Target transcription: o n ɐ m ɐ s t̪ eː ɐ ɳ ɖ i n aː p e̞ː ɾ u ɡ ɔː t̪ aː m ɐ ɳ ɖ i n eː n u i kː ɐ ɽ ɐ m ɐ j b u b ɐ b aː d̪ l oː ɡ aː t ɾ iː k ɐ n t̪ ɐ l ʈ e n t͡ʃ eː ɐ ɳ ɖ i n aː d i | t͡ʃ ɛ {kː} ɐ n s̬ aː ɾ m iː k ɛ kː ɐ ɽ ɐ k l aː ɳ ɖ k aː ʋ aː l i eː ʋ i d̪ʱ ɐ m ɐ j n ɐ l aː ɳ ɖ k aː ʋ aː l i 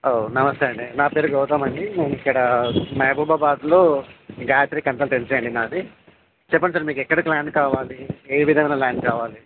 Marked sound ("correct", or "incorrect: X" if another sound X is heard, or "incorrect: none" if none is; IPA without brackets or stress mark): incorrect: pː